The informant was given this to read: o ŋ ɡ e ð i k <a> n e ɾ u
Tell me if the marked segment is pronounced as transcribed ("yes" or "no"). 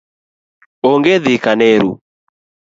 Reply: yes